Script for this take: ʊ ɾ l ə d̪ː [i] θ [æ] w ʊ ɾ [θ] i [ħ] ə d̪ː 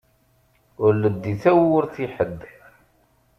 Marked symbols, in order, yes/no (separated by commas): yes, yes, yes, yes